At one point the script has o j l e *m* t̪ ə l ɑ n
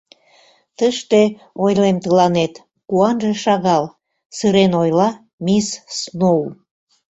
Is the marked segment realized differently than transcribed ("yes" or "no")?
no